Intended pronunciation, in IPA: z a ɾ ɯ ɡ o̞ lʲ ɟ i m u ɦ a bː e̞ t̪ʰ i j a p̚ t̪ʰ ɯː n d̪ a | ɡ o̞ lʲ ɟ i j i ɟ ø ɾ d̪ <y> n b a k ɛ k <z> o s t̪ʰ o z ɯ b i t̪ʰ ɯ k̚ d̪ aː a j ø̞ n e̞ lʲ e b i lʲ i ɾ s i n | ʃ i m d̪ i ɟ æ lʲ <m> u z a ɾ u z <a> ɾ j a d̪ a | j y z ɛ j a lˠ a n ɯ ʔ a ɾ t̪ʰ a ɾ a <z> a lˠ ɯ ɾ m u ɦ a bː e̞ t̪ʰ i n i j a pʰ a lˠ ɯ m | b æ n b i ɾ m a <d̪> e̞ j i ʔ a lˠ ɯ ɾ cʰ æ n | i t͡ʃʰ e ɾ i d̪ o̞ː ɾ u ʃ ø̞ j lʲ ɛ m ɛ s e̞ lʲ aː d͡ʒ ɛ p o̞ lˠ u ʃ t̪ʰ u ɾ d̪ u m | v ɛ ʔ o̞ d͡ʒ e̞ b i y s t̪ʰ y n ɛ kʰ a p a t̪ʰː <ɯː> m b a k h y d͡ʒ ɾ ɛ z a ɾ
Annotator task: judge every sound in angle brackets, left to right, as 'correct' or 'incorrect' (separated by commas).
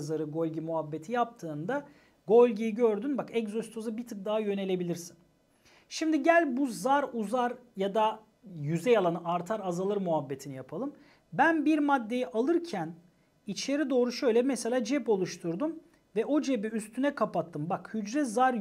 correct, correct, incorrect, correct, correct, incorrect, incorrect